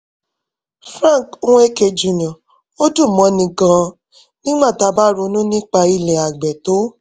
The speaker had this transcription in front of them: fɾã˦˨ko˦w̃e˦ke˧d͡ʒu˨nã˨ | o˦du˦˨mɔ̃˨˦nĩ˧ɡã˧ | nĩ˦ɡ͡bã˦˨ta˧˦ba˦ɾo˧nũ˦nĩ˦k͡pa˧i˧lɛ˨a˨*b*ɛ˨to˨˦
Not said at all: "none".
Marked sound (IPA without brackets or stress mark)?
ɡ͡b